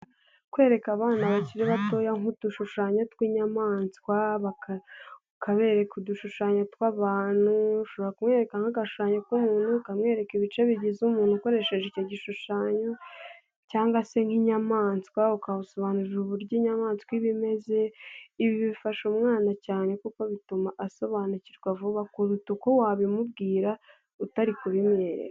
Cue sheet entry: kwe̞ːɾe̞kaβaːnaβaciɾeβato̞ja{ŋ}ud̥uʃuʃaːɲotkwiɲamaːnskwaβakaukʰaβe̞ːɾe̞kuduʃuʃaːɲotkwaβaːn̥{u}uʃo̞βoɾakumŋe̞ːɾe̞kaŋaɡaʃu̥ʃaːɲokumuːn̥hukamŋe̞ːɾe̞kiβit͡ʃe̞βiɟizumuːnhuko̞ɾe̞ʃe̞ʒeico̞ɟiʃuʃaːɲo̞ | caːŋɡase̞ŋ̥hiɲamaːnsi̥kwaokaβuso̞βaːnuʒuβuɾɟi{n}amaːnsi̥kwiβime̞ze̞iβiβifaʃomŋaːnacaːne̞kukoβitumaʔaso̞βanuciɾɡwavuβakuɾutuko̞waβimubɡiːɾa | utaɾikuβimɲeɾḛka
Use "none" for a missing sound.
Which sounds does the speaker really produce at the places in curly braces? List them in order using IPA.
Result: ŋ, u, ɲ

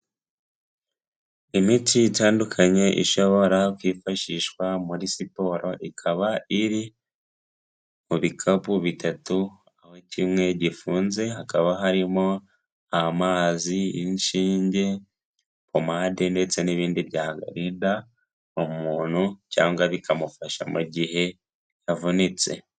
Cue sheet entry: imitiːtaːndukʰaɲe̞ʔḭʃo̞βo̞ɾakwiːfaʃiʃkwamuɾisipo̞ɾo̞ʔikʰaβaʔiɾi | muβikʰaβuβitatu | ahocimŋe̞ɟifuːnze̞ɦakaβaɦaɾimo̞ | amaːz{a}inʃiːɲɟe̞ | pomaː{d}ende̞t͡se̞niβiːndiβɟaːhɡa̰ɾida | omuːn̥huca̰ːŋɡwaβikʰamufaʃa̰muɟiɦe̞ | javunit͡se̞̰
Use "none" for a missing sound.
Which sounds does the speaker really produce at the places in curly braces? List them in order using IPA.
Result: i, d

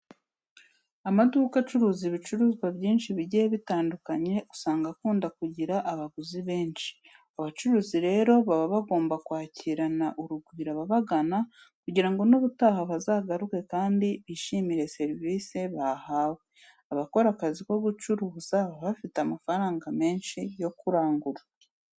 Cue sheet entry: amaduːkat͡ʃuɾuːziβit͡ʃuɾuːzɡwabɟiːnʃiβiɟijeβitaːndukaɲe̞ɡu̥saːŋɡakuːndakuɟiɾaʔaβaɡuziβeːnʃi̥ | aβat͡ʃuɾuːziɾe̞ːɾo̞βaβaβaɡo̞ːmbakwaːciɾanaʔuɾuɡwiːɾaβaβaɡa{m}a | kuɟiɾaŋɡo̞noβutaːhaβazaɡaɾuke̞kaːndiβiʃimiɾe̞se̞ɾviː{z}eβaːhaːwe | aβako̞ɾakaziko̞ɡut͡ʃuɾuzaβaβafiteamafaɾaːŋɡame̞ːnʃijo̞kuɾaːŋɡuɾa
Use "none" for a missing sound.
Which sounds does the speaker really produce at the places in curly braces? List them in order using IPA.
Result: n, s

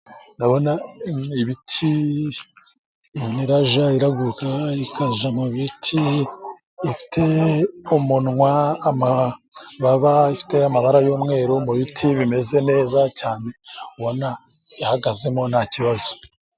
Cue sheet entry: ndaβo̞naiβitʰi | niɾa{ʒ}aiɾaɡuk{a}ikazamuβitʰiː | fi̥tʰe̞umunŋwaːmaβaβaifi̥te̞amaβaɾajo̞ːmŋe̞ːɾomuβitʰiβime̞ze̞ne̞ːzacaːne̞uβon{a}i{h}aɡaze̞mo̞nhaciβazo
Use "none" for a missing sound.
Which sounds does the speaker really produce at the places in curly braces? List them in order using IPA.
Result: ʒ, a, a, h

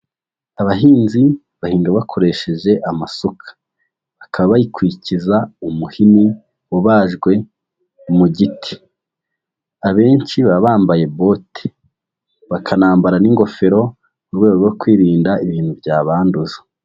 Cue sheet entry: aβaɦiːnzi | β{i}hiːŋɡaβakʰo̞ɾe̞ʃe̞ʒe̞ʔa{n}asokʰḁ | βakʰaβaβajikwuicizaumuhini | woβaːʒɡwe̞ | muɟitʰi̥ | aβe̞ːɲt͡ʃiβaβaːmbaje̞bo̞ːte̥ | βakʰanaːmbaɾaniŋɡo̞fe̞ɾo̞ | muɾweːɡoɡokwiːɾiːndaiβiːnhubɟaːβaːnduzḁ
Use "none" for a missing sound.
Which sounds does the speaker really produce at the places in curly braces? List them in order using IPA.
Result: a, m

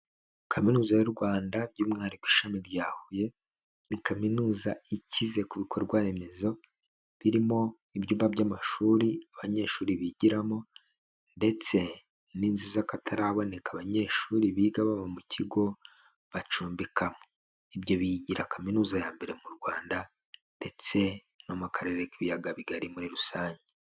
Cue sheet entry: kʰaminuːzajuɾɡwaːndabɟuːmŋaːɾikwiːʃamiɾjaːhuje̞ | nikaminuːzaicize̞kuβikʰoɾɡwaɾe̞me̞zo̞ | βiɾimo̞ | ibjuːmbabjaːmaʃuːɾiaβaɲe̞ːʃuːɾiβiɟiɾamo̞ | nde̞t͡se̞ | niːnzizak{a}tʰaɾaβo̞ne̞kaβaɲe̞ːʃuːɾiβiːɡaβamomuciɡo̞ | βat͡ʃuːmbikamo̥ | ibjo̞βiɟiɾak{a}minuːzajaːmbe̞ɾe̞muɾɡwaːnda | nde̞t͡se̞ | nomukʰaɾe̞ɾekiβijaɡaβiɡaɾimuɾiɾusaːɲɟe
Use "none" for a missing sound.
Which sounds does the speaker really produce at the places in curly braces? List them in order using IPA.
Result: a, a

